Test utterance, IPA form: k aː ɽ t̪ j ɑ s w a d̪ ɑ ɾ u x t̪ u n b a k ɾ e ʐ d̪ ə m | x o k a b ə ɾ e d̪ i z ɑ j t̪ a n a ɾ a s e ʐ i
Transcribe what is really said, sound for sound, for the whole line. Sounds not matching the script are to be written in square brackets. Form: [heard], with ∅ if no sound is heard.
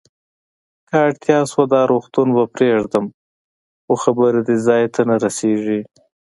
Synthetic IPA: k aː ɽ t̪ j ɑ s w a d̪ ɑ ɾ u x t̪ u n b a [p] ɾ e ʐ d̪ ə m | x o [x] a b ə ɾ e d̪ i z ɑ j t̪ a n a ɾ a s e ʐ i